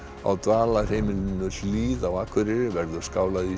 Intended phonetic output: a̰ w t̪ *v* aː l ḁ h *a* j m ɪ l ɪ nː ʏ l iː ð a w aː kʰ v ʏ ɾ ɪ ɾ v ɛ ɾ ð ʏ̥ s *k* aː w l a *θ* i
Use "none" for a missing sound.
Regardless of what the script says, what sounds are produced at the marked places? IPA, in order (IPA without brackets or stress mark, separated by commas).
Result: v, e, k, ð